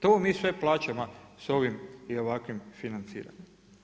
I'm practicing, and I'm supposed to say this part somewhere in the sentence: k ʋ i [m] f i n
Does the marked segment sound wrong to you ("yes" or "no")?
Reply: no